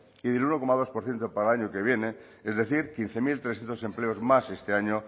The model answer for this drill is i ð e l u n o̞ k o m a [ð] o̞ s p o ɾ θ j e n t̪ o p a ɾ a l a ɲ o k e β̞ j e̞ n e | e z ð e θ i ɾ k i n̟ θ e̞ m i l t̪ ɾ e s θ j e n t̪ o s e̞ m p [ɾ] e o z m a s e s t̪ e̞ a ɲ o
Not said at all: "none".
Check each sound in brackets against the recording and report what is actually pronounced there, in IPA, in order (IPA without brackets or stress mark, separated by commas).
ð, l